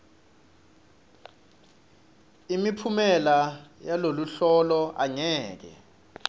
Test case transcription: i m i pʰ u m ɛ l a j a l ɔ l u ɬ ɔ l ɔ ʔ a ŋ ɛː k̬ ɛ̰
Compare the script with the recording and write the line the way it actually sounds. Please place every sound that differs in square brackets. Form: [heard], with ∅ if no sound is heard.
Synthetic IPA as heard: i m i pʰ u m ɛ l a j a l [o] l u ɬ ɔ l ɔ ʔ a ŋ ɛː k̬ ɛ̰